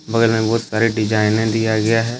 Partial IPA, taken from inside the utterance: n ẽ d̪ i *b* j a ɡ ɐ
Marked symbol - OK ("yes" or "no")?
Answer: no